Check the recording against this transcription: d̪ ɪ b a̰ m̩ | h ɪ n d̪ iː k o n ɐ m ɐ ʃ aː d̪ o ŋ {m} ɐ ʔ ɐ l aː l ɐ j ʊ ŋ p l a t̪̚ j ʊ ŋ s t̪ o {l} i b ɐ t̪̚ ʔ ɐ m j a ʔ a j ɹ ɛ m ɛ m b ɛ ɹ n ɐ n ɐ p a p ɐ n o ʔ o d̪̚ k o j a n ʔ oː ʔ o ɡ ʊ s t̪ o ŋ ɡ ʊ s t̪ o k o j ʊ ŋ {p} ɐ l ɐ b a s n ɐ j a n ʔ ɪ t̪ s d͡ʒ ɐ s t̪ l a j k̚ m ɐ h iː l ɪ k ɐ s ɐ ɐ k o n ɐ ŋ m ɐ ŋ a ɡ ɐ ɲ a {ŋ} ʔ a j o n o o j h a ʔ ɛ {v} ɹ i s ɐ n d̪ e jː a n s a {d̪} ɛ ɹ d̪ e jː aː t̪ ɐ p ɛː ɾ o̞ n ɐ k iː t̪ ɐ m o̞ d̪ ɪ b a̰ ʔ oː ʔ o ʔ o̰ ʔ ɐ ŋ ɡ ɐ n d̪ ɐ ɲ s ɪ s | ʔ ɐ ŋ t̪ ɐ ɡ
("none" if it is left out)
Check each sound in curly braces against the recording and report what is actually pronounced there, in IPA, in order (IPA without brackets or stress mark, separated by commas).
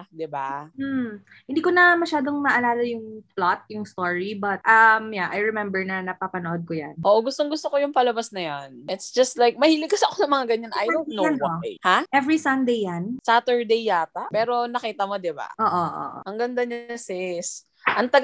m, ɹ, p, n, v, t̪